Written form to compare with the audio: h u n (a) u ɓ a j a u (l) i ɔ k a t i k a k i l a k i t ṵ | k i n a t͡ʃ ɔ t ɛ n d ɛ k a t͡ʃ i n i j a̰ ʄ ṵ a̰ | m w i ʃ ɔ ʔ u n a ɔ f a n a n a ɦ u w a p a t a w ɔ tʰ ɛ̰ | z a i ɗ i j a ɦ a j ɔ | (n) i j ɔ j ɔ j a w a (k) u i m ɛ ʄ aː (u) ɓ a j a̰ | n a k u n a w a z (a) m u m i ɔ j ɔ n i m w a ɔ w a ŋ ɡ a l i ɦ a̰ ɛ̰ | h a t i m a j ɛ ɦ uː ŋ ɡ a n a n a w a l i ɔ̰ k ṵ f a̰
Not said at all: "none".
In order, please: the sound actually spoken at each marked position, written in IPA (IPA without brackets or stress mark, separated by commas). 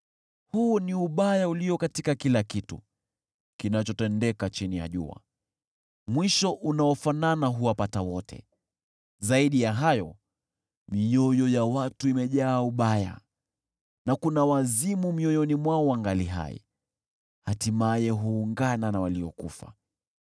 i, l, m, t, u, i